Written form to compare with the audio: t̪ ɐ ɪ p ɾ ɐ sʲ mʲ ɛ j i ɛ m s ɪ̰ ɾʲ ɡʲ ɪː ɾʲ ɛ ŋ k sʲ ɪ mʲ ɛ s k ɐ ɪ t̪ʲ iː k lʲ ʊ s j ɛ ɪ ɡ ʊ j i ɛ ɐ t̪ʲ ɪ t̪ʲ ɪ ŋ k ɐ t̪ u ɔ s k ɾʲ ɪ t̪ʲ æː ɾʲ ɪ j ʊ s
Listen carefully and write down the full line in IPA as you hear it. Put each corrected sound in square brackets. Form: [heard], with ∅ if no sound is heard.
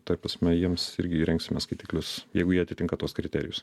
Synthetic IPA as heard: t̪ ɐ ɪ p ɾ ɐ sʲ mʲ ɛ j i ɛ m s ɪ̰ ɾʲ ɡʲ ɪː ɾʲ ɛ ŋ k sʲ ɪ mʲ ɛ s k ɐ ɪ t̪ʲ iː k lʲ ʊ s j ɛ ɪ ɡ ʊ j i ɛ ɐ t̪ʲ ɪ t̪ʲ ɪ ŋ k ɐ t̪ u ɔ s k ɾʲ ɪ t̪ʲ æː ɾʲ ɪ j ʊ s

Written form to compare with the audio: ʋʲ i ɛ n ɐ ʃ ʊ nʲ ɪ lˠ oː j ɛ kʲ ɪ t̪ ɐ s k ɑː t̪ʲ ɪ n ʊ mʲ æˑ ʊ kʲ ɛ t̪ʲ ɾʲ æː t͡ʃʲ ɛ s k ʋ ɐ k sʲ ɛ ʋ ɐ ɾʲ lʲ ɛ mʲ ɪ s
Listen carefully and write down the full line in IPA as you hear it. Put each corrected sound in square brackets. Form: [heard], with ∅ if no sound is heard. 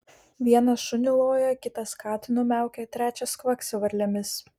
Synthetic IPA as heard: ʋʲ i ɛ n ɐ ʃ ʊ nʲ ɪ lˠ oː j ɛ kʲ ɪ t̪ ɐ s k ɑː t̪ʲ ɪ n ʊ mʲ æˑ ʊ kʲ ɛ t̪ʲ ɾʲ æː t͡ʃʲ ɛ s k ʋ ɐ k sʲ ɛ ʋ ɐ ɾʲ lʲ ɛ mʲ ɪ s

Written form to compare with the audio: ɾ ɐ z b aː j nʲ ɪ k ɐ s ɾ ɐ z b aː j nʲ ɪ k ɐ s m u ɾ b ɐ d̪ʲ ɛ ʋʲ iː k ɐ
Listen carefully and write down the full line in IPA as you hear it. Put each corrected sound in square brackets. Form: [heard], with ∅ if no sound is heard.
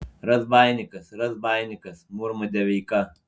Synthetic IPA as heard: ɾ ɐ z b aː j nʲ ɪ k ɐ s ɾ ɐ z b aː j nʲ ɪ k ɐ s m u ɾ [m] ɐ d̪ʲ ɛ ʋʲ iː k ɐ

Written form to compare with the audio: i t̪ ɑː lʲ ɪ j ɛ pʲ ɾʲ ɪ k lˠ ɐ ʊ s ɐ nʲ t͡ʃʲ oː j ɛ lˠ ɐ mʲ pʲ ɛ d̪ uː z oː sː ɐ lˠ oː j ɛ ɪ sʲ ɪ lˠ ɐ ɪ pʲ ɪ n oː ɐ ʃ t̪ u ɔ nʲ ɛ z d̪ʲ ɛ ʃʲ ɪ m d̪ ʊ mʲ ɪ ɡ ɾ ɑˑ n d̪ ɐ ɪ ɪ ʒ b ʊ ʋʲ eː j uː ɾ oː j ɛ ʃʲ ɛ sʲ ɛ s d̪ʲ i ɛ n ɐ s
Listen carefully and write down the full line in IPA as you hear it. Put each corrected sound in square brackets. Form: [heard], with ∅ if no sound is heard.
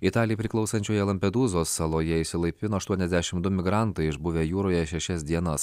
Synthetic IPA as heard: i t̪ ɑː lʲ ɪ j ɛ pʲ ɾʲ ɪ k lˠ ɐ ʊ s ɐ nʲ t͡ʃʲ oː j ɛ lˠ ɐ mʲ pʲ ɛ d̪ uː z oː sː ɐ lˠ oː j ɛ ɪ sʲ ɪ lˠ ɐ ɪ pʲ ɪ n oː ɐ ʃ t̪ u ɔ nʲ ɛ z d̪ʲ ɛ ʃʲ ɪ m d̪ ʊ mʲ ɪ ɡ ɾ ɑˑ n [t̪] ɐ ɪ ɪ ʒ b ʊ ʋʲ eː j uː ɾ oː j ɛ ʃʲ ɛ [ʃʲ] ɛ s d̪ʲ i ɛ n ɐ s

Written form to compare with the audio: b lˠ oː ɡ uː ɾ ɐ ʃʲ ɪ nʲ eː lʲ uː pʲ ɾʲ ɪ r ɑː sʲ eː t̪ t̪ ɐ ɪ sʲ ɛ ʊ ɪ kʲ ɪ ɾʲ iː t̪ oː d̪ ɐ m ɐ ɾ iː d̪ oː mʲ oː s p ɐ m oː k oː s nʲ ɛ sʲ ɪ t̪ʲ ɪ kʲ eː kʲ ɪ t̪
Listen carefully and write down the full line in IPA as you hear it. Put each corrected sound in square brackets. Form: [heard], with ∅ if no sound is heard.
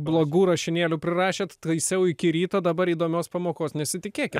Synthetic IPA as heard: b lˠ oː ɡ uː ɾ ɐ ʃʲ ɪ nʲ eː lʲ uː pʲ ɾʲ ɪ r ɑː [ʃʲ] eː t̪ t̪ ɐ ɪ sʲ ɛ ʊ ɪ kʲ ɪ ɾʲ iː t̪ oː d̪ ɐ [b] ɐ ɾ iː d̪ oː mʲ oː s p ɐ m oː k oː s nʲ ɛ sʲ ɪ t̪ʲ ɪ kʲ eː kʲ ɪ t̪

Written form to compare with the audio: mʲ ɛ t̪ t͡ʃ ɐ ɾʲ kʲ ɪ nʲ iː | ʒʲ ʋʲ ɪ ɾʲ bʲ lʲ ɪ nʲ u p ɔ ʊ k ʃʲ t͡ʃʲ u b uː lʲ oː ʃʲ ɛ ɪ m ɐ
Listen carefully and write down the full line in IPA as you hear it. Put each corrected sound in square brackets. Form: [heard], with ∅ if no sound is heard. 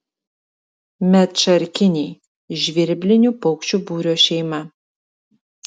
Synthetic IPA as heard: mʲ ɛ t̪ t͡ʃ ɐ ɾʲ kʲ ɪ nʲ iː | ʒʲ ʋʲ ɪ ɾʲ bʲ lʲ ɪ nʲ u p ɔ ʊ k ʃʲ t͡ʃʲ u b uː [ɾʲ] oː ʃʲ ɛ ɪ m ɐ

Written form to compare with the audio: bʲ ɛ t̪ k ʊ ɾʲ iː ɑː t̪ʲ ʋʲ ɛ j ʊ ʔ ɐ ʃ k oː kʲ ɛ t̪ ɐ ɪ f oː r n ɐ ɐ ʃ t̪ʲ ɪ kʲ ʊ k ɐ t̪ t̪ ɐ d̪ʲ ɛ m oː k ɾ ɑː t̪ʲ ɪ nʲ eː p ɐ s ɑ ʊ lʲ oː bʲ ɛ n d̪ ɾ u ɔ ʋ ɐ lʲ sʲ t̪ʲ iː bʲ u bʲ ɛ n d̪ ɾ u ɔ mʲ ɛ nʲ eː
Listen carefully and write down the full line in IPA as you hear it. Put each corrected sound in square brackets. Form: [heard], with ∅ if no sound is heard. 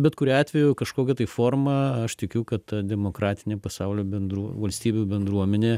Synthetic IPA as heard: bʲ ɛ t̪ k ʊ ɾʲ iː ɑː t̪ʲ ʋʲ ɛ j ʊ [k] ɐ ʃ k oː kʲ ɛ t̪ ɐ ɪ f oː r [m] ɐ ɐ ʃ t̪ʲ ɪ kʲ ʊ k ɐ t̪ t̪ ɐ d̪ʲ ɛ m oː k ɾ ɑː t̪ʲ ɪ nʲ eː p ɐ s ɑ ʊ lʲ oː bʲ ɛ n d̪ ɾ u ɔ ʋ ɐ lʲ sʲ t̪ʲ iː bʲ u bʲ ɛ n d̪ ɾ u ɔ mʲ ɛ nʲ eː

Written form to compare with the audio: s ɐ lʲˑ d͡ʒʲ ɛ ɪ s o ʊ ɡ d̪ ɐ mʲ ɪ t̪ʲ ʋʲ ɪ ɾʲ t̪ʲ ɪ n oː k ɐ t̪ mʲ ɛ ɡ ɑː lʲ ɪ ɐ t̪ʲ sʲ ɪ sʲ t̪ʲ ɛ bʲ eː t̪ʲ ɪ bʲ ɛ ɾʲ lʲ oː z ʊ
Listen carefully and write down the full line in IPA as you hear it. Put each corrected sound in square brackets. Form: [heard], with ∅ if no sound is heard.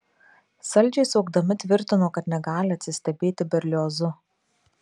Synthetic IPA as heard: s ɐ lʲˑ d͡ʒʲ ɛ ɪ s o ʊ ɡ d̪ ɐ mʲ ɪ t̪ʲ ʋʲ ɪ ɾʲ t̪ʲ ɪ n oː k ɐ t̪ [nʲ] ɛ ɡ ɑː lʲ ɪ ɐ t̪ʲ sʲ ɪ sʲ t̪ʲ ɛ bʲ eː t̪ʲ ɪ bʲ ɛ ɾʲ lʲ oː z ʊ

